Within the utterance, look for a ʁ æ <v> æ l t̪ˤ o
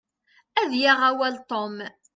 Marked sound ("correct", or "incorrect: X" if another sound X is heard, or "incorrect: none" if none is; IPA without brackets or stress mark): incorrect: w